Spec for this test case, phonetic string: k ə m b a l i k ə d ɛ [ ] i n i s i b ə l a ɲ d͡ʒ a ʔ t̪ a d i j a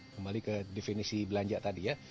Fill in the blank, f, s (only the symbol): f